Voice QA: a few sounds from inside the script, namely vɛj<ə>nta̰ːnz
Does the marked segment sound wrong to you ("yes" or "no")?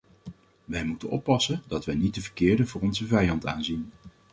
yes